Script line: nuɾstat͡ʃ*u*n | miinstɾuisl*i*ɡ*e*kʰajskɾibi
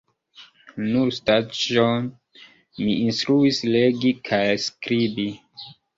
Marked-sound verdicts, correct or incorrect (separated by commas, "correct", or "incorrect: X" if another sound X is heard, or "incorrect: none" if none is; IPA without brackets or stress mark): incorrect: o, incorrect: e, incorrect: i